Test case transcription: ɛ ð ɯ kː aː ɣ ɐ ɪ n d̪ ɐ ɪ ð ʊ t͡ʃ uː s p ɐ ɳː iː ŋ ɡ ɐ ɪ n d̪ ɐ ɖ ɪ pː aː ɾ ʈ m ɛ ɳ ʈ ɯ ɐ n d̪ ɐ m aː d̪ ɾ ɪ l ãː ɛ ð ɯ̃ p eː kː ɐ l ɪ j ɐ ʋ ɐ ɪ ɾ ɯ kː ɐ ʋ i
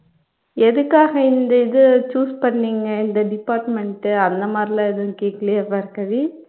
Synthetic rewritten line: ɛ ð ɯ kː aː ɣ ɐ ɪ n d̪ ɐ ɪ ð ɯ t͡ʃ uː s p ɐ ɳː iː ŋ ɡ ɐ ɪ n d̪ ɐ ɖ ɪ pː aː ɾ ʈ m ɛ ɳ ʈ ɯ ɐ n d̪ ɐ m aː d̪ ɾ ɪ l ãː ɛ ð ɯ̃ k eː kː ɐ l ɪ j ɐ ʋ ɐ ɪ ɾ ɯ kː ɐ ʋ i